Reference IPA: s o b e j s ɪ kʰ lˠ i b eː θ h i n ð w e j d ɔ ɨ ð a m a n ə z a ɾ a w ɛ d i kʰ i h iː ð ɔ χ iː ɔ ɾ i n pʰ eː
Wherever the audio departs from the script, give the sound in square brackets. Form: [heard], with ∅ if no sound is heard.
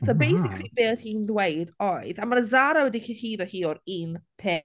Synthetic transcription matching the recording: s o b e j s ɪ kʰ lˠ i b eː θ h i n ð w e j d ɔ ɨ ð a m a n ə z a ɾ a w ɛ d i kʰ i h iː ð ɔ [h] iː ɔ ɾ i n pʰ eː